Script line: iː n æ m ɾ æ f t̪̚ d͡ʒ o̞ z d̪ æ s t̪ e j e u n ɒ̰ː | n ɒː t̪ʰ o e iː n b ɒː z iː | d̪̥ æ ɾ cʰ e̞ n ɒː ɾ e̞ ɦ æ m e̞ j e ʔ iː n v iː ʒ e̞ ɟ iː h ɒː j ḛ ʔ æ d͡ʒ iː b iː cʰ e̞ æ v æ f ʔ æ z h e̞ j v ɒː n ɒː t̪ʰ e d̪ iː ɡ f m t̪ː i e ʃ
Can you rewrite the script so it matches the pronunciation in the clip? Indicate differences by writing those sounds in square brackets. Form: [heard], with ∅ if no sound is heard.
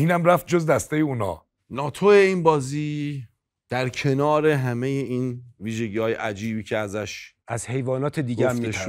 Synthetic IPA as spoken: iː n æ m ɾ æ f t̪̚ d͡ʒ o̞ z d̪ æ s t̪ e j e u n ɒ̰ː | n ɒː t̪ʰ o e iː n b ɒː z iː | d̪̥ æ ɾ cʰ e̞ n ɒː ɾ e̞ ɦ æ m e̞ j e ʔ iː n v iː ʒ e̞ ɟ iː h ɒː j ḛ ʔ æ d͡ʒ iː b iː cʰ e̞ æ [z] æ [ʃ] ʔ æ z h e̞ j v ɒː n ɒː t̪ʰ e d̪ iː ɡ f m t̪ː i e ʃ